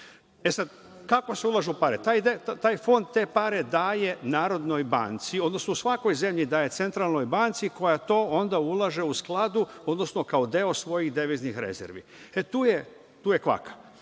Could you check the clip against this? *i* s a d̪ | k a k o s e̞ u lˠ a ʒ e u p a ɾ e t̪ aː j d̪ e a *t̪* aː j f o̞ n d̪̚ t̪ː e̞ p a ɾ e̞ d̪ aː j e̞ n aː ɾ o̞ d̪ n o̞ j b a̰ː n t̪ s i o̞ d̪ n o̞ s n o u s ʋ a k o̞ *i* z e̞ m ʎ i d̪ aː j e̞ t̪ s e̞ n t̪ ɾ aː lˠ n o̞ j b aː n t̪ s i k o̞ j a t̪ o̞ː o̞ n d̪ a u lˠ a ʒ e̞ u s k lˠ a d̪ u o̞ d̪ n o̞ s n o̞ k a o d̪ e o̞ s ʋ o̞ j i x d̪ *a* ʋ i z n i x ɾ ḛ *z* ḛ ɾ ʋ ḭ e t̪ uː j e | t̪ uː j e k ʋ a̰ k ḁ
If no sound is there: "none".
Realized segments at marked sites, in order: e, t̪, j, e, z

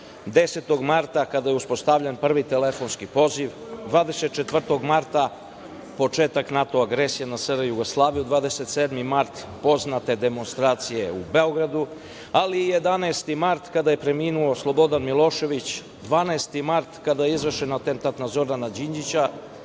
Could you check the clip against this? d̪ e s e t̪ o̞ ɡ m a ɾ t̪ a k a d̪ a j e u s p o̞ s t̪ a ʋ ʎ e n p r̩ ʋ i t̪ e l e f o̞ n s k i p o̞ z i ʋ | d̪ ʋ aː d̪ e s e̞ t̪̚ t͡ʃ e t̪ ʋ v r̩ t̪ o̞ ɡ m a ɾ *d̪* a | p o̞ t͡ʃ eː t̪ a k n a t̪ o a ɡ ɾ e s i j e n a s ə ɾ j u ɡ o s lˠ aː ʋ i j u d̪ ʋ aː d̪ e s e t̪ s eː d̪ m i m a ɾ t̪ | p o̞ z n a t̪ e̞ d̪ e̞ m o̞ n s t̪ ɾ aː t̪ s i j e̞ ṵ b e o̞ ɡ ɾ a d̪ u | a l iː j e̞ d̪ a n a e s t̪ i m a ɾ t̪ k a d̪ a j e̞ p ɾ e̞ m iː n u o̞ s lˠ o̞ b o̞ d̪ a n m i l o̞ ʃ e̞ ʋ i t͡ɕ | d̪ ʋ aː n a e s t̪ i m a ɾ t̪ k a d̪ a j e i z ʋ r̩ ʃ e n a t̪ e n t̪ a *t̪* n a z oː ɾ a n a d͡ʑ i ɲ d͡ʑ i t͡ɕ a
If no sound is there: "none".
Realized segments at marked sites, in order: t̪, t̪

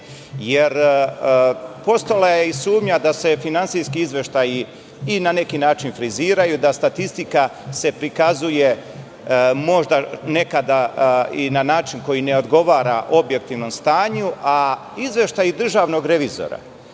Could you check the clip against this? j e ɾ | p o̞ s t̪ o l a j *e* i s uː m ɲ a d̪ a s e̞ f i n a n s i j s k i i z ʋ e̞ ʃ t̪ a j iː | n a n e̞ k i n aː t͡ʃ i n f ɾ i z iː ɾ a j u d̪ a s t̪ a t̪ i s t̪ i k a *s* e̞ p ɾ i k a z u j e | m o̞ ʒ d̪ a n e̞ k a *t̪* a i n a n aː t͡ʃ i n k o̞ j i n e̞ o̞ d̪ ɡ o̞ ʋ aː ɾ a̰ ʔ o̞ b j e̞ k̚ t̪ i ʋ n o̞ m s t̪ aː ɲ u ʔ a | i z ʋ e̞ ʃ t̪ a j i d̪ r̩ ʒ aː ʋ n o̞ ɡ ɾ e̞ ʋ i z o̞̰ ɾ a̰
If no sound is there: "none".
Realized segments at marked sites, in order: e, s, d̪

